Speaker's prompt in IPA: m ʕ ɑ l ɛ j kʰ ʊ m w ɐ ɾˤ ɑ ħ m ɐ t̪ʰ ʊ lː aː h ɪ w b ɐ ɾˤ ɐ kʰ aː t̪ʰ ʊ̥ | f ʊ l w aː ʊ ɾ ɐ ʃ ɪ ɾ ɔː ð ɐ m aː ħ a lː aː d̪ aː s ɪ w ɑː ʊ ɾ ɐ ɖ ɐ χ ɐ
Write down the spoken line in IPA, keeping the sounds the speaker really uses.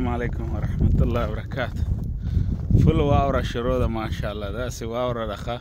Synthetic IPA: m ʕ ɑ l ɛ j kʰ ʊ m w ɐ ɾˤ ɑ ħ m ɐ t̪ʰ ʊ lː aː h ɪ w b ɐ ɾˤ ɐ kʰ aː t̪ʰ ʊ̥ | f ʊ l w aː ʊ ɾ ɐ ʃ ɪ ɾ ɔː ð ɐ m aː ʃ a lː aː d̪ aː s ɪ w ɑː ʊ ɾ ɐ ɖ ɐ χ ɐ